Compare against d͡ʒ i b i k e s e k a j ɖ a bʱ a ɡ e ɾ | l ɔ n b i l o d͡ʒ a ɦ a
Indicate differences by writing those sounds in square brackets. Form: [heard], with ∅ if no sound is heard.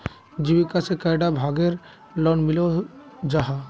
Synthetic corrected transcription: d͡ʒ i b i k [a] s e k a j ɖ a bʱ a ɡ e ɾ | l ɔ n [m] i l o d͡ʒ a ɦ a

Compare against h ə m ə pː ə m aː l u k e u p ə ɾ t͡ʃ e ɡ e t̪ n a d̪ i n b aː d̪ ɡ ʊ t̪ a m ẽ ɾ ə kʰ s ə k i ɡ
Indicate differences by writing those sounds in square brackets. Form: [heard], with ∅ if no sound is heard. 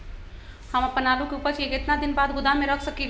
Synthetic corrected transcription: h ə m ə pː ə [n] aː l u k e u p ə ɾ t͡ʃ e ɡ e t̪ n a d̪ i n b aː d̪ ɡ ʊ [d̪] a m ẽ ɾ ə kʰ s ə k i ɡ

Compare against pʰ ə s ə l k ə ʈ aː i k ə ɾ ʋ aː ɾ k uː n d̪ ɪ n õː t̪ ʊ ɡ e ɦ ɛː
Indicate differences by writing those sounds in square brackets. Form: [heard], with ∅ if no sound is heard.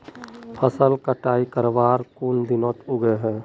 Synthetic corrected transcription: pʰ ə s ə l k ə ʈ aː i k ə ɾ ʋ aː ɾ k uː n d̪ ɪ n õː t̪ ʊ ɡ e ɦ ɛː

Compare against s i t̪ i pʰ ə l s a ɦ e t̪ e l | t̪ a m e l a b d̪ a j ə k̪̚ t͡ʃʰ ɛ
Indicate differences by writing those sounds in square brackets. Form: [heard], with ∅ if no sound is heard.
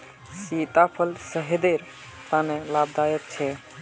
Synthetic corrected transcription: s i t̪ [a] pʰ ə l s [ə] ɦ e [d̪] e [ɾ] | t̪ a [n] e l a b d̪ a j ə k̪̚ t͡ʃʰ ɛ

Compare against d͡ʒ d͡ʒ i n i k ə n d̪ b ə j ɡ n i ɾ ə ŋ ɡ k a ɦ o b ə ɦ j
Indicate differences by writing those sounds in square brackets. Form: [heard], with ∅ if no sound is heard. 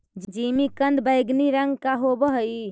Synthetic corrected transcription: d͡ʒ d͡ʒ i [m] i k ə n d̪ b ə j ɡ n i ɾ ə ŋ ɡ k a ɦ o b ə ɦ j

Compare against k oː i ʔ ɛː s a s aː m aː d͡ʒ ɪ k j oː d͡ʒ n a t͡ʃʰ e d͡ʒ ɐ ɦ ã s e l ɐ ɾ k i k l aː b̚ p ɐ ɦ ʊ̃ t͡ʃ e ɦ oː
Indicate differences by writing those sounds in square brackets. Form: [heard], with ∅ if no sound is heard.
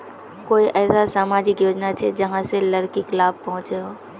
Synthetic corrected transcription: k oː i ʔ ɛː s a s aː m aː d͡ʒ ɪ k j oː d͡ʒ n a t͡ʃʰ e d͡ʒ ɐ ɦ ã s e l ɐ ɾ k i k l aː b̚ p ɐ ɦ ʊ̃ t͡ʃ e ɦ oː

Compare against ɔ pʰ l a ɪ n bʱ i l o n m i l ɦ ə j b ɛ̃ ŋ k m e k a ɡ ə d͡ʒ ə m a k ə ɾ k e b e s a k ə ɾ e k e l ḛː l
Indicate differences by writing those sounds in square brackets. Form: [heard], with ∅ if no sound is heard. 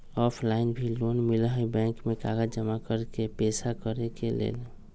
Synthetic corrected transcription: ɔ pʰ l a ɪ n bʱ i l o n m i l ɦ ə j b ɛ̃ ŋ k m e k a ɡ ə d͡ʒ ə m a k ə ɾ k e [p] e s a k ə ɾ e k e l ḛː l

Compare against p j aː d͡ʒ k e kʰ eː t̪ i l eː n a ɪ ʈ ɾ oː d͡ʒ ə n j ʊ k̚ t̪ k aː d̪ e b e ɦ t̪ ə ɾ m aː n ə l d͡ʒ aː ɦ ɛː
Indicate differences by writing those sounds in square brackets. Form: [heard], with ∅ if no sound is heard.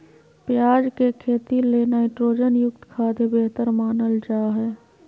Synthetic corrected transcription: p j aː d͡ʒ k e kʰ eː t̪ i l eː n a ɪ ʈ ɾ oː d͡ʒ ə n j ʊ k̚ t̪ [kʰ] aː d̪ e b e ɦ t̪ ə ɾ m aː n ə l d͡ʒ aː ɦ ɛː

